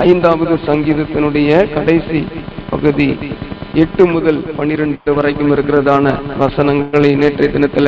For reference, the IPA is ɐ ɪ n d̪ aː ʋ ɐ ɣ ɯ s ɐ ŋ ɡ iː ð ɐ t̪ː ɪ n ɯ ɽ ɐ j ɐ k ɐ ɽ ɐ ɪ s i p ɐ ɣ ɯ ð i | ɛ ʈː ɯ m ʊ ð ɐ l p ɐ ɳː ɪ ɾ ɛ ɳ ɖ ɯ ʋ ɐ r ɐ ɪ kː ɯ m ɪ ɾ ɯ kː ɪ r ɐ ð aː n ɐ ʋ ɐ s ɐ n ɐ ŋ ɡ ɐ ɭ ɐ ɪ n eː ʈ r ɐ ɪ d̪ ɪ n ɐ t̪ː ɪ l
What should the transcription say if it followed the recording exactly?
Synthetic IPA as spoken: ɐ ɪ n d̪ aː ʋ ɐ ð ɯ s ɐ ŋ ɡ iː ð ɐ t̪ː ɪ n ɯ ɽ ɐ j ɐ k ɐ ɽ ɐ ɪ s i p ɐ ɣ ɯ ð i | ɛ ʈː ɯ m ʊ ð ɐ l p ɐ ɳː ɪ ɾ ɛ ɳ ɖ ɯ ʋ ɐ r ɐ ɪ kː ɯ m ɪ ɾ ɯ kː ɪ r ɐ ð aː n ɐ ʋ ɐ s ɐ n ɐ ŋ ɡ ɐ ɭ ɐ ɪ n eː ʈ r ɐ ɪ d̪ ɪ n ɐ t̪ː ɪ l